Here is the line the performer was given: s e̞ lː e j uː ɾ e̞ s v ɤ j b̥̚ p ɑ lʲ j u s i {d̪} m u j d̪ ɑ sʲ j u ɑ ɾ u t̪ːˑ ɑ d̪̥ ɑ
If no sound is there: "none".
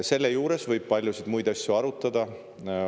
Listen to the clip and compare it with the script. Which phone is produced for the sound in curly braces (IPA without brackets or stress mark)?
d̪